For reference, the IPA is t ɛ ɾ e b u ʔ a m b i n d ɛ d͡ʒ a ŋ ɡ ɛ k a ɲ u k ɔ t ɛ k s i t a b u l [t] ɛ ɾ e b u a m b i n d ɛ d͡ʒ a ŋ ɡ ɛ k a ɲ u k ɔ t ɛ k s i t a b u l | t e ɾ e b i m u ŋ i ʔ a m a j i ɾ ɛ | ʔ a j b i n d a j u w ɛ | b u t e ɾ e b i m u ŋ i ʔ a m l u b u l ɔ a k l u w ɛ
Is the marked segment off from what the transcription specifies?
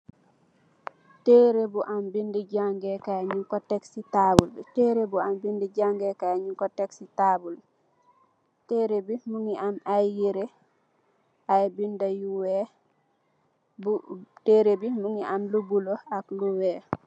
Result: no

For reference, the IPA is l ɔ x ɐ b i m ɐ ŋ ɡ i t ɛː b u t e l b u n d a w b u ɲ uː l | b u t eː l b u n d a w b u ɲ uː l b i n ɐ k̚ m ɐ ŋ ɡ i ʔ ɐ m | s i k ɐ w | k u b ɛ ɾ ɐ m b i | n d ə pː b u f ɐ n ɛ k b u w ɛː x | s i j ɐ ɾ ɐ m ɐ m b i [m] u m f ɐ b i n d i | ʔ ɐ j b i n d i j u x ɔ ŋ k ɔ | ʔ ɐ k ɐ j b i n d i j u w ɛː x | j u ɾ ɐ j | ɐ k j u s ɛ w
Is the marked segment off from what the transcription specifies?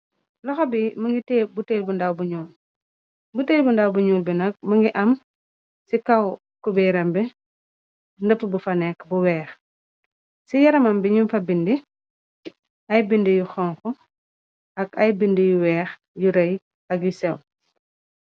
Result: yes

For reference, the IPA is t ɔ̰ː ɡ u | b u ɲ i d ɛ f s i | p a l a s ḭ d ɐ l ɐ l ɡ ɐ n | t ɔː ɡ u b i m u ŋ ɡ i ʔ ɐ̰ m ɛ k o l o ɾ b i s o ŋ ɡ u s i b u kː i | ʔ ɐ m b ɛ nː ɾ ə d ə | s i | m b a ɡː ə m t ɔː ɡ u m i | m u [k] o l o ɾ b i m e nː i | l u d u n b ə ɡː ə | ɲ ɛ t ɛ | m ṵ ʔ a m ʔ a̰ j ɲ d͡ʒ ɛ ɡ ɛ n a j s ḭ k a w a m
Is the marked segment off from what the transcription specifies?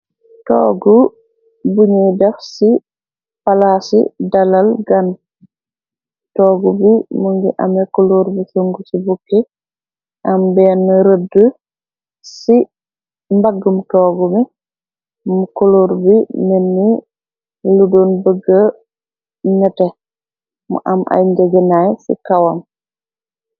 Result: no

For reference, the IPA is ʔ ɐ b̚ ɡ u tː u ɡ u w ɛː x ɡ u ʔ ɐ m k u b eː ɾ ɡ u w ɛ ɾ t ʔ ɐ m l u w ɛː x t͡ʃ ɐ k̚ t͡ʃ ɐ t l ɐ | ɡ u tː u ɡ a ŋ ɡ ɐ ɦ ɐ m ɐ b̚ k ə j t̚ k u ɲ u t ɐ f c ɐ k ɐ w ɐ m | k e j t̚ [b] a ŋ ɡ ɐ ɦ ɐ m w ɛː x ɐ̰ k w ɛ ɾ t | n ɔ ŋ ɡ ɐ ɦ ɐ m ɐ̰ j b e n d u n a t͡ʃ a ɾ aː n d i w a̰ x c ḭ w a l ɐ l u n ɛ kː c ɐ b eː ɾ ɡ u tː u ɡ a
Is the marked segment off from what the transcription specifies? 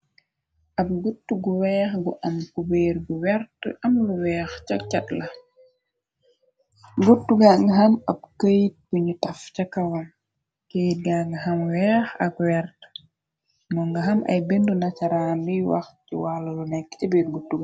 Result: yes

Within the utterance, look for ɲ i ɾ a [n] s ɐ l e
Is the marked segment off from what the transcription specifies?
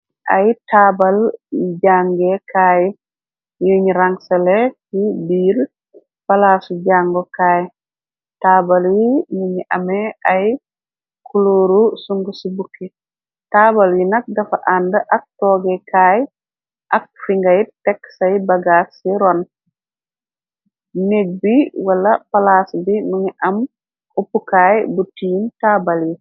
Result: yes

